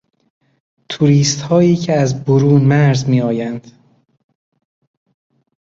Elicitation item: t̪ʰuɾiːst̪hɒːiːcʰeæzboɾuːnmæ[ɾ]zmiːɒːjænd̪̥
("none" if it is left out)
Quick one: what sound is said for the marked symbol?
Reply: ɾ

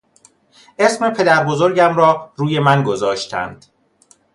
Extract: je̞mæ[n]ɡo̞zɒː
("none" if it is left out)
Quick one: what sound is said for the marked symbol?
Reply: n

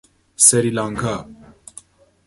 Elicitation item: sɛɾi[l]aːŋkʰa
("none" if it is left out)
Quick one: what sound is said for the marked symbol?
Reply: l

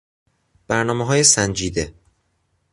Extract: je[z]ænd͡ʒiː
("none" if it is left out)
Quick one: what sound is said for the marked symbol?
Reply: s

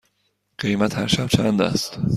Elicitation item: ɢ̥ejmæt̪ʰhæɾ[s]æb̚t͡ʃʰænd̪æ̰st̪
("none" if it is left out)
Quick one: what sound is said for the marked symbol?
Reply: ʃ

